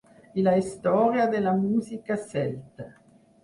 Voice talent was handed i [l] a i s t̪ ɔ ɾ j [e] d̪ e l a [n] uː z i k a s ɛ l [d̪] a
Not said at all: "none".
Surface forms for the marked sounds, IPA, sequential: l, a, m, t̪

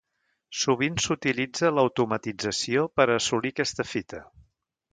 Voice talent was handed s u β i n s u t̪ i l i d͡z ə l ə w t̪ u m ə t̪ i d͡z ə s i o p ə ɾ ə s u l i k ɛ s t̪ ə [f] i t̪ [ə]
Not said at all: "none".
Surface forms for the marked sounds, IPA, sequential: f, ə

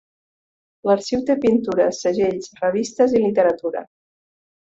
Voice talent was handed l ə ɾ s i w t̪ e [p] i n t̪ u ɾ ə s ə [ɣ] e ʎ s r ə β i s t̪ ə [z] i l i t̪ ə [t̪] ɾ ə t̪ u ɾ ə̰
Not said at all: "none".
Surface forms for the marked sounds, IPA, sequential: p, ʒ, z, none

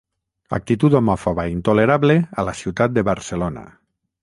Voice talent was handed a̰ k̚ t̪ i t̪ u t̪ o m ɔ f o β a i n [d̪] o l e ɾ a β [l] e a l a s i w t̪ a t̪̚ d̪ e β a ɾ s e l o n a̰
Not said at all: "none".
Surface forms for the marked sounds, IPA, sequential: t̪, l

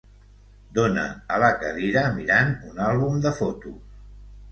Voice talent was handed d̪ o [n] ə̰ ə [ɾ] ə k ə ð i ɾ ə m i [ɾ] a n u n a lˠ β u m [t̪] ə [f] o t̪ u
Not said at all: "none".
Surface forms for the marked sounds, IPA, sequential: n, l, ɾ, d̪, f

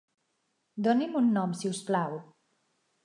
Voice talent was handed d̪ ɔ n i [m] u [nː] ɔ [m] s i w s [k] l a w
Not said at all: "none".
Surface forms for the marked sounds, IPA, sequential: m, nː, m, p

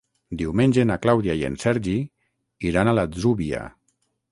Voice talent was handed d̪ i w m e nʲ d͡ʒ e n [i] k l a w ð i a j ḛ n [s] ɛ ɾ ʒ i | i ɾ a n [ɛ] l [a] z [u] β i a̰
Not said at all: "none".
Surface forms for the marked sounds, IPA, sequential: a, s, a, a, u

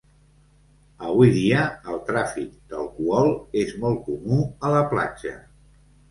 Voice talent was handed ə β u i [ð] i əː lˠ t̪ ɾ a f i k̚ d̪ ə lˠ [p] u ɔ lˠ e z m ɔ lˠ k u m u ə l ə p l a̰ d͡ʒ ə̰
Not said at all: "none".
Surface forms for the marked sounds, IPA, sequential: ð, k

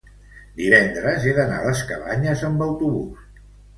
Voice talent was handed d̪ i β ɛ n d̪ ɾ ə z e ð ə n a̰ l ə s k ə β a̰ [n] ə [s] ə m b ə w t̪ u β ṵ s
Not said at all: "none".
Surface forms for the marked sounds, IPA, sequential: ɲ, z

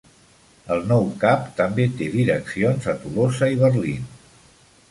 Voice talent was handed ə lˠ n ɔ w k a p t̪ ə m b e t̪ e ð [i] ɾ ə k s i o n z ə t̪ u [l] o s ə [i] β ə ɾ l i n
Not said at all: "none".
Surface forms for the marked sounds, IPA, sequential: i, l, i

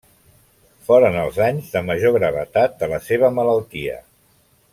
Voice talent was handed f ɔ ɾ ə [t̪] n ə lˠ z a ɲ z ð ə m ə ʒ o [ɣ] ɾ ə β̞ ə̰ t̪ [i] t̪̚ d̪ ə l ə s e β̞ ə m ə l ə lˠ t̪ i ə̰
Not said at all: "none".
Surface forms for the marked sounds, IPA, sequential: none, ɣ, a

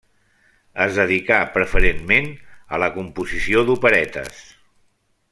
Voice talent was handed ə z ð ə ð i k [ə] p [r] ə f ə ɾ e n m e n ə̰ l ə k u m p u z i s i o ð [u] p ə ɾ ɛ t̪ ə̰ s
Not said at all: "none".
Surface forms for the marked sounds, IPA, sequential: a, ɾ, u

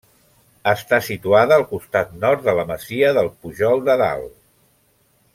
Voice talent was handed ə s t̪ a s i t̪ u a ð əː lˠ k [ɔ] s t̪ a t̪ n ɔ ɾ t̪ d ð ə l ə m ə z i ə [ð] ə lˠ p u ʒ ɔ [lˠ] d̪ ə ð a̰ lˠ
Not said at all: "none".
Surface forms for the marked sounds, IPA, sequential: u, ð, lˠ

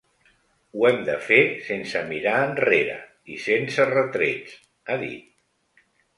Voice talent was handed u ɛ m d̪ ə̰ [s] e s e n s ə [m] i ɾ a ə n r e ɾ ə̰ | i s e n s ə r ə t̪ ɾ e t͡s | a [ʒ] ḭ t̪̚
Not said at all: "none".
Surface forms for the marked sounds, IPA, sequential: f, m, ð

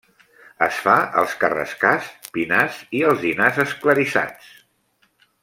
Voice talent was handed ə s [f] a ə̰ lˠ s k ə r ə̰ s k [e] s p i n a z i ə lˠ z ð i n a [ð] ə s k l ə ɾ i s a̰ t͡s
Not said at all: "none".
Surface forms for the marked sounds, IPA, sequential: f, a, z

